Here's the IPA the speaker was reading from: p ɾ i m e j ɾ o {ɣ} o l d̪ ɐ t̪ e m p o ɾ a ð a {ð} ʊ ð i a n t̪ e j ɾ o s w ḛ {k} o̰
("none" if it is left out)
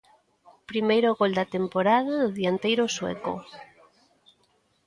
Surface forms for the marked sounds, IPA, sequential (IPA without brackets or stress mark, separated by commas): ɣ, ð, k